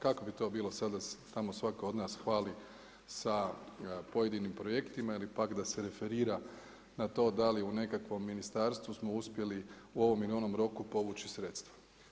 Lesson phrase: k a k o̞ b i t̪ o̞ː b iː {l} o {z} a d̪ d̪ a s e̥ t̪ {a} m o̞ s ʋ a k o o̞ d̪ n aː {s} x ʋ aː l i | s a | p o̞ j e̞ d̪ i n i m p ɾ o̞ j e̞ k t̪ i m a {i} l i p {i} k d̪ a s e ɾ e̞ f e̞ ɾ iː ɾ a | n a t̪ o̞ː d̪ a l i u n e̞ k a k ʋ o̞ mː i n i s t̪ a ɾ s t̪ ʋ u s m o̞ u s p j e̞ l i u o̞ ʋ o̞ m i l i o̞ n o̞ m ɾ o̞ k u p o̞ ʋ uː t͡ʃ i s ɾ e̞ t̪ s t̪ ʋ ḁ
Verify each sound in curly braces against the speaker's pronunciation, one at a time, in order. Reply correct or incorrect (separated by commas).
correct, incorrect, correct, correct, correct, incorrect